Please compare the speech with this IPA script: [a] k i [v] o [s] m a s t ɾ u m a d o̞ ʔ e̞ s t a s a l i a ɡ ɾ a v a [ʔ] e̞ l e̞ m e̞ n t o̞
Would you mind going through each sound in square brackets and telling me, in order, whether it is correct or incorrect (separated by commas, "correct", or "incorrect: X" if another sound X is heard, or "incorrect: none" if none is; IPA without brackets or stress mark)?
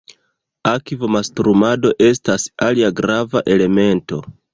correct, correct, incorrect: none, correct